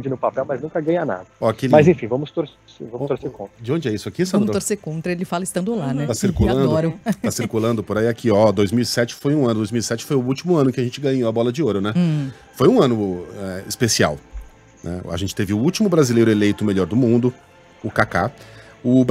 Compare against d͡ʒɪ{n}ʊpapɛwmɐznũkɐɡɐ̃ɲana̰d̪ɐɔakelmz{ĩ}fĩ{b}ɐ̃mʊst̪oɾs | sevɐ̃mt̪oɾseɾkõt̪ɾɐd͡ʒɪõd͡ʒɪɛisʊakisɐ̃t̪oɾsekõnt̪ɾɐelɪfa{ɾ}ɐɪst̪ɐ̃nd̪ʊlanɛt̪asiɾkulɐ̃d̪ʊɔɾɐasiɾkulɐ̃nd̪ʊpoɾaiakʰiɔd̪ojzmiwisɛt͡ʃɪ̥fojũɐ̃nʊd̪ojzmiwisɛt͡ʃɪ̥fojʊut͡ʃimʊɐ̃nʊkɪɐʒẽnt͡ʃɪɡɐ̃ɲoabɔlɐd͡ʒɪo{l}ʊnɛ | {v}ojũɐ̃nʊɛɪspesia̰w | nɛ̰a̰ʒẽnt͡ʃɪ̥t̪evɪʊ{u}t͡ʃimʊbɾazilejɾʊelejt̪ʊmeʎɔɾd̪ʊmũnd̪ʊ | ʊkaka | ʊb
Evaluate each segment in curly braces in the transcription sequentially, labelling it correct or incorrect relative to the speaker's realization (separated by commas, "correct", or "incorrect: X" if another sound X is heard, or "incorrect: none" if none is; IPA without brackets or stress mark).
correct, incorrect: ẽ, incorrect: v, incorrect: l, incorrect: ɾ, incorrect: f, correct